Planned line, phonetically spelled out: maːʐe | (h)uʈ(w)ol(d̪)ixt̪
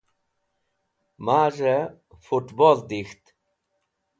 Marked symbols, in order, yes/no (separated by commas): no, no, yes